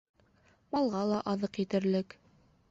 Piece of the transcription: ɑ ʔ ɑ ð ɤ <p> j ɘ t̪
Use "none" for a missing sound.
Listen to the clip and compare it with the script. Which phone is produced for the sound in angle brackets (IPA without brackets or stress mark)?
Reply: q